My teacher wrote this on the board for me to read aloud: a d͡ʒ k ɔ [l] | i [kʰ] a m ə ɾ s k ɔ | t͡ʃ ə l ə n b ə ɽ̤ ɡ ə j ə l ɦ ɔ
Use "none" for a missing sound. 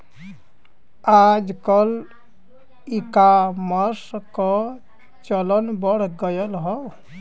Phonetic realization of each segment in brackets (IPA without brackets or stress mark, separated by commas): l, k